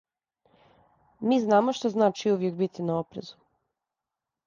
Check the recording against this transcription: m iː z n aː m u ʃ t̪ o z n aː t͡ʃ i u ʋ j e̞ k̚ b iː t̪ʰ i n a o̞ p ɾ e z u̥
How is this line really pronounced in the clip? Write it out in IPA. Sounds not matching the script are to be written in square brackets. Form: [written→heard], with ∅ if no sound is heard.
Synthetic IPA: m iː z n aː m [u→o] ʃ t̪ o z n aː t͡ʃ i u ʋ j e̞ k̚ b [iː→i] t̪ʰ i n a o̞ p ɾ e z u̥